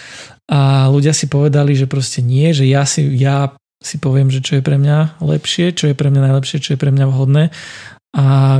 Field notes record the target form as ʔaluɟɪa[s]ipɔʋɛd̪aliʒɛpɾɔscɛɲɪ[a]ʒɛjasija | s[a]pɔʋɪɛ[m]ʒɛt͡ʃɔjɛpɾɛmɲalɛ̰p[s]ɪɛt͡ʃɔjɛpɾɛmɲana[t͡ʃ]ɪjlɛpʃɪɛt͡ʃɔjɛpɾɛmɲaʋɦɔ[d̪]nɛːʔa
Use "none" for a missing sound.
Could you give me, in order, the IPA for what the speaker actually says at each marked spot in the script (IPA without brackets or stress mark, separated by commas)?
s, ɛ, i, m, ʃ, none, d̪